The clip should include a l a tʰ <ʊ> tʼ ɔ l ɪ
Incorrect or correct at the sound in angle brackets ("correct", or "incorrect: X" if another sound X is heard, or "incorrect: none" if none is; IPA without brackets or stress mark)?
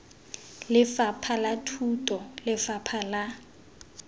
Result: incorrect: u